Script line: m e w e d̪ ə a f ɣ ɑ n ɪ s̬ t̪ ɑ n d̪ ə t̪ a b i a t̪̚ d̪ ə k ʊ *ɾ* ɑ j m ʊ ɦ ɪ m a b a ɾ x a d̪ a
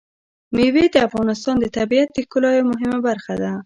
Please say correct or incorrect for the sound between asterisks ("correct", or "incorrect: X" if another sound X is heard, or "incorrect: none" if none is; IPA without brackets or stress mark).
incorrect: l